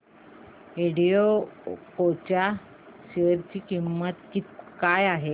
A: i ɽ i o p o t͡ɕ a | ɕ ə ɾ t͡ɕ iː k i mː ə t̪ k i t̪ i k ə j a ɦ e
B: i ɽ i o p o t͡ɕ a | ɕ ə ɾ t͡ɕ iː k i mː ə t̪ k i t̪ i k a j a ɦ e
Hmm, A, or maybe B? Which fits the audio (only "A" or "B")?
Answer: B